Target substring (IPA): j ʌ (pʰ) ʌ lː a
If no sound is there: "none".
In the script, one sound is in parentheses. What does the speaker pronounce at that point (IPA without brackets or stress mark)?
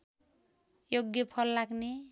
pʰ